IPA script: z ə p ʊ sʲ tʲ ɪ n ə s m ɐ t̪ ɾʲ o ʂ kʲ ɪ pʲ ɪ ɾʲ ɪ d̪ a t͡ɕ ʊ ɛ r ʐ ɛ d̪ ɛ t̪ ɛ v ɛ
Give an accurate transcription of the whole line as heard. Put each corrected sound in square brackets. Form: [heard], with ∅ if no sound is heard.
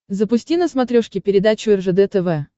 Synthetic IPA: z ə p ʊ sʲ tʲ [i] n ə s m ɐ t̪ ɾʲ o ʂ kʲ ɪ pʲ ɪ ɾʲ ɪ d̪ a t͡ɕ ʊ ɛ r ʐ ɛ d̪ ɛ t̪ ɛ v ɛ

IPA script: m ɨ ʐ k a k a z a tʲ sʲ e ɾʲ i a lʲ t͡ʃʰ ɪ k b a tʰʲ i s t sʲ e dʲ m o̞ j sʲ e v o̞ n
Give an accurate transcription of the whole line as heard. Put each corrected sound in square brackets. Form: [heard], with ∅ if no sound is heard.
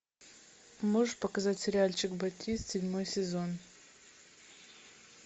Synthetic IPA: m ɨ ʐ [p] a k a z a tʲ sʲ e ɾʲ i a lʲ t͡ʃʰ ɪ k b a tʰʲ i s t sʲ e dʲ m o̞ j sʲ e [z] o̞ n

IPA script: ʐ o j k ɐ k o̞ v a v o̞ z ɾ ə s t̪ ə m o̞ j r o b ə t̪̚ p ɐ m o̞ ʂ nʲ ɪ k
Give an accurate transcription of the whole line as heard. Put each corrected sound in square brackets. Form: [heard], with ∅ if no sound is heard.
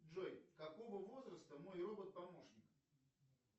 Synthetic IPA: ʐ o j k ɐ k o̞ v [ə] v o̞ z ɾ ə s t̪ ə m o̞ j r o b ə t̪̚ p ɐ m o̞ ʂ nʲ ɪ k

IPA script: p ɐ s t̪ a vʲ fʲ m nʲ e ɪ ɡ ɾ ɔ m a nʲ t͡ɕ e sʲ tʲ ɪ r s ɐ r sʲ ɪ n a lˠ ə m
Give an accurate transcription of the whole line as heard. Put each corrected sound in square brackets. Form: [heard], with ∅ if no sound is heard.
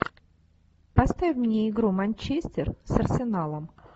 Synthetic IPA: p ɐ s t̪ a vʲ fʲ m nʲ e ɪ ɡ ɾ [u] m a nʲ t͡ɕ e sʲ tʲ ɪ r s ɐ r sʲ ɪ n a lˠ ə m

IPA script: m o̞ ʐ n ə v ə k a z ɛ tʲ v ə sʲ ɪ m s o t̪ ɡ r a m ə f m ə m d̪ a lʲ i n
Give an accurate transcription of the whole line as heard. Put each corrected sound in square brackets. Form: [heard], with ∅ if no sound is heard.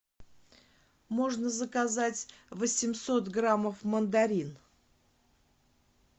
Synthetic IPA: m o̞ ʐ n ə [z] ə k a z [a] tʲ v ə sʲ ɪ m s o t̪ ɡ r a m ə f m ə [n] d̪ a [ɾʲ] i n

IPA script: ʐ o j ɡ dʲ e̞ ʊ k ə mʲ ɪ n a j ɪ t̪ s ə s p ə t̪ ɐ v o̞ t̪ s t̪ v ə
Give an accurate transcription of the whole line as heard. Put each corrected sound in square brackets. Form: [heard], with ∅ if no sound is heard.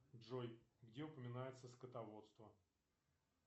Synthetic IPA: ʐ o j ɡ dʲ e̞ ʊ [p] ə mʲ ɪ n a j ɪ t̪ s ə s [k] ə t̪ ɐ v o̞ t̪ s t̪ v ə

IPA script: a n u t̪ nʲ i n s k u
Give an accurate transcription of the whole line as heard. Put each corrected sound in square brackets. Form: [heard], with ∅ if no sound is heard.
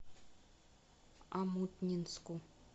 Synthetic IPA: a [m] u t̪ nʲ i n s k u

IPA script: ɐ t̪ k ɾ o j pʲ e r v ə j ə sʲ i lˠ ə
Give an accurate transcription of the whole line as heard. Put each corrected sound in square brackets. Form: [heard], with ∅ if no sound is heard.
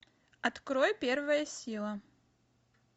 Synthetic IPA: ɐ t̪ k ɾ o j pʲ e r v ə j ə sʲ i lˠ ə

